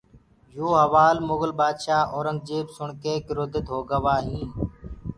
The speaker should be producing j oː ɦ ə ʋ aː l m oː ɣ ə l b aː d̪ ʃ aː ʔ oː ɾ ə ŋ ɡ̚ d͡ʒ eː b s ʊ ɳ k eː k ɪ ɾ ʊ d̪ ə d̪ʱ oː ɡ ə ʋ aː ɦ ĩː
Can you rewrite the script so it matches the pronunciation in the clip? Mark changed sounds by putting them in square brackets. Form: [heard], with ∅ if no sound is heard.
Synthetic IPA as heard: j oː ɦ ə ʋ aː l m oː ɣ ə l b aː d̪ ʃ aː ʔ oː ɾ ə ŋ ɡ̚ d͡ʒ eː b s ʊ ɳ k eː k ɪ ɾ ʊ d̪ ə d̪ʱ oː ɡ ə ʋ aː ɦ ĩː